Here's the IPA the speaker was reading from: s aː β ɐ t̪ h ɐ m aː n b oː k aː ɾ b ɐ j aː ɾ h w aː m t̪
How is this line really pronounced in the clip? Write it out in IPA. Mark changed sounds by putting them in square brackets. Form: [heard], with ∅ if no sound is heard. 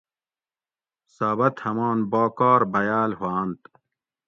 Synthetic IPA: s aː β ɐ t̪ h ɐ m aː n b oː k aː ɾ b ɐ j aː [l] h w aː [n] t̪